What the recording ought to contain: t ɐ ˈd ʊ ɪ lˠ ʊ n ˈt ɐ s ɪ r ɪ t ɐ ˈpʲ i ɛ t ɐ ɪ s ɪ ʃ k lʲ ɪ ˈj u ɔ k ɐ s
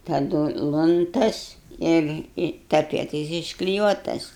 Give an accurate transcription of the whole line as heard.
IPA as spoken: t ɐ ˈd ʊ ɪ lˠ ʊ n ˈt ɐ s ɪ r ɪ t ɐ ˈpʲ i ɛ t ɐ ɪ s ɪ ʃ k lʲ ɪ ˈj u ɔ t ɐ s